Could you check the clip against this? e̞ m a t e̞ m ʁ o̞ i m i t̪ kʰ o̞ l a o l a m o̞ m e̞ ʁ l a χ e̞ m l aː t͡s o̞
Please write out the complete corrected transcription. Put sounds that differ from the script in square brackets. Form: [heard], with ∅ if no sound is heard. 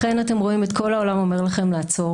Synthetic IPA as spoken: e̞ [n] a t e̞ m ʁ o̞ i m [e] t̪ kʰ o̞ l a o l a m o̞ m e̞ ʁ l a χ e̞ m l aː t͡s o̞